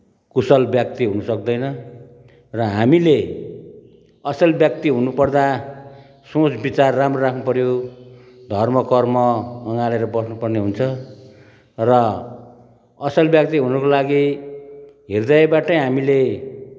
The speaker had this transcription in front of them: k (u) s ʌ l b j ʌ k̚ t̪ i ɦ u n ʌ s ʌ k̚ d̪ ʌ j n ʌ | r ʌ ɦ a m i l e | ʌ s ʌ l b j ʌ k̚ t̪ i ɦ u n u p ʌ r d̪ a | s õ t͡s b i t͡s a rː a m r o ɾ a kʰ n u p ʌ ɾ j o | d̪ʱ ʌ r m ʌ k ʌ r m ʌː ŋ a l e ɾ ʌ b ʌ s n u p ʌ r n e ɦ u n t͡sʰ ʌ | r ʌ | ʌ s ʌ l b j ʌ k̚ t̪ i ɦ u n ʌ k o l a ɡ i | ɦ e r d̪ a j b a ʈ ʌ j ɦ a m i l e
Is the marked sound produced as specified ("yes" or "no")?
yes